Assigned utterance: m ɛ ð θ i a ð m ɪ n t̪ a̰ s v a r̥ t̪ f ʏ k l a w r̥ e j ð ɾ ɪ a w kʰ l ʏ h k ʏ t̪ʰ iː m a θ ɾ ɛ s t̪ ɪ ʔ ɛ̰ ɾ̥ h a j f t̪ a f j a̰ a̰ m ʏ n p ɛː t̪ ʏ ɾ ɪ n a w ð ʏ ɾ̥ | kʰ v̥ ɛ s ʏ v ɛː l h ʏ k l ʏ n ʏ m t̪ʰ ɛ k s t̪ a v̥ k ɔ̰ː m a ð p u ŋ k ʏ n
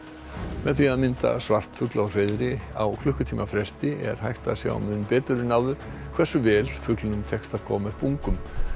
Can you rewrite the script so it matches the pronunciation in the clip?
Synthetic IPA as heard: m ɛ ð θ i a ð m ɪ n t̪ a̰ s v a r̥ t̪ f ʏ k l a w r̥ e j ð ɾ ɪ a w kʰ l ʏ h k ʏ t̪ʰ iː m a f ɾ ɛ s t̪ ɪ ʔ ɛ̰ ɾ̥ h a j h t̪ a s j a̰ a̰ m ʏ n p ɛː t̪ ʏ ɾ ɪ n a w ð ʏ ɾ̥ | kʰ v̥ ɛ s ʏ v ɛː l f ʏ k l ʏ n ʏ m t̪ʰ ɛ k s t̪ a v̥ kʰ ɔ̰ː m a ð p u ŋ k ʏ m